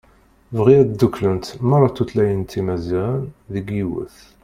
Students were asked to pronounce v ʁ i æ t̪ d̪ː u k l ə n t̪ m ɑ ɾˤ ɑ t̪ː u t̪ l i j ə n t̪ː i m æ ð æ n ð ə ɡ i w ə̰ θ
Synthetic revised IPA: v ʁ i æ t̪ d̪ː u k l ə n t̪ m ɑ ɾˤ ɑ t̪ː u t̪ l æ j ə n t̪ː i m æ z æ n ð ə ɡ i w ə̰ θ